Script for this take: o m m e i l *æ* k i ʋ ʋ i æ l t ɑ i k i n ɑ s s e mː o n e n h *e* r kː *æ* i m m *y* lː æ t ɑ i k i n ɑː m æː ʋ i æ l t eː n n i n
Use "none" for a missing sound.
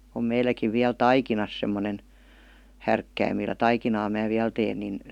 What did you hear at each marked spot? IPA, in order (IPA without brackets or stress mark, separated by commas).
æ, æ, æ, i